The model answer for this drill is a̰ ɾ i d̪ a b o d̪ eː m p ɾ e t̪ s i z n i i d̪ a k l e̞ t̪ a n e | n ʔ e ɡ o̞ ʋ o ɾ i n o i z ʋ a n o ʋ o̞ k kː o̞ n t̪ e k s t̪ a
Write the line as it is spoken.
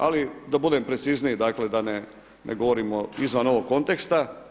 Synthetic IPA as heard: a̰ l i d̪ a b u d̪ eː m p ɾ e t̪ s i z n i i d̪ a k l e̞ d̪ a n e | n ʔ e ɡ o̞ ʋ o ɾ i m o i z ʋ a n o ʋ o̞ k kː o̞ n t̪ e k s t̪ a